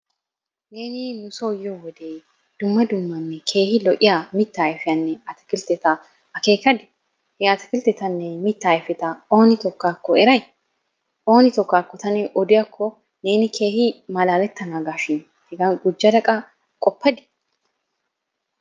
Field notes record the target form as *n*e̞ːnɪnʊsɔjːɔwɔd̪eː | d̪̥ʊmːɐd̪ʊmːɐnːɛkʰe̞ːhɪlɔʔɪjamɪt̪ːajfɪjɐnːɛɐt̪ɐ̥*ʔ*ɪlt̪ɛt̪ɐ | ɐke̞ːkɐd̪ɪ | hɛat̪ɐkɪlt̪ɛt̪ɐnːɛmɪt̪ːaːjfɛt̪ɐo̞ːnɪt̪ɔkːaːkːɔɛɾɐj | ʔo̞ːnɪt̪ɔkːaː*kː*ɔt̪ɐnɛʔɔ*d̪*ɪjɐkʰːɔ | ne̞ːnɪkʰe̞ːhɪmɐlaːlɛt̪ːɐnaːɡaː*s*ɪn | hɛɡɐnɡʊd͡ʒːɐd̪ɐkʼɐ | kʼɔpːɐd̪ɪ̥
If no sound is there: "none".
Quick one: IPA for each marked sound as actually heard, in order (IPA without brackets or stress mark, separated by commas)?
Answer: n, k, kː, d̪, ʃ